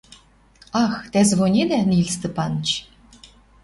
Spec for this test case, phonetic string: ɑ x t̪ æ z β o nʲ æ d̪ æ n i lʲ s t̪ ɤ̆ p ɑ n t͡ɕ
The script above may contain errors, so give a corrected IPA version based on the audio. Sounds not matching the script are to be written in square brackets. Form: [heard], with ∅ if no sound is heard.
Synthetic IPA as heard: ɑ x t̪ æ z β o nʲ [e] d̪ æ n i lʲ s t̪ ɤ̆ p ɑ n t͡ɕ